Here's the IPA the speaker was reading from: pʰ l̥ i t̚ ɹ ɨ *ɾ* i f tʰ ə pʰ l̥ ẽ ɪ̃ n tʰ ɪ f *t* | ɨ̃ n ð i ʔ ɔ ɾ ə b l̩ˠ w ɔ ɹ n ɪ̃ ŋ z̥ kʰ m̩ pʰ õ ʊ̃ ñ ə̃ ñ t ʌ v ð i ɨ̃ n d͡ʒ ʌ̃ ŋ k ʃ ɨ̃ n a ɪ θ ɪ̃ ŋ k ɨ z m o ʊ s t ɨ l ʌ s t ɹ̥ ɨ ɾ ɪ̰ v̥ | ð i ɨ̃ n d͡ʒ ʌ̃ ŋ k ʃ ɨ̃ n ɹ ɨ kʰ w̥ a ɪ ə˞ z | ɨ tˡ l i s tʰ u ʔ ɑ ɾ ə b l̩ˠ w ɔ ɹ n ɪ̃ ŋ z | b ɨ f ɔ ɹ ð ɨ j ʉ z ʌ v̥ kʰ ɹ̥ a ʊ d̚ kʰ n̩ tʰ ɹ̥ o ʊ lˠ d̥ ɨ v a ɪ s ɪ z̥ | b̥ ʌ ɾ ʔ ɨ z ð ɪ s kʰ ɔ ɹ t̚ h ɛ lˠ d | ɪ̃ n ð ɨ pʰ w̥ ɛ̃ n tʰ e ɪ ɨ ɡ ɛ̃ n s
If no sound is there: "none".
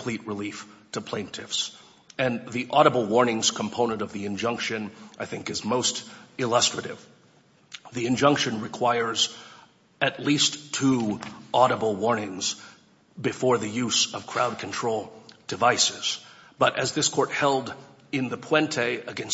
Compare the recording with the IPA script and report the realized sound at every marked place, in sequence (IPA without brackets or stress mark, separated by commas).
l, s